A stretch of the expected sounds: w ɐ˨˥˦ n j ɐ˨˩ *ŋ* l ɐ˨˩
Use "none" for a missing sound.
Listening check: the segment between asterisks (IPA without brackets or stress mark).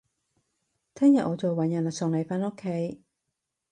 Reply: n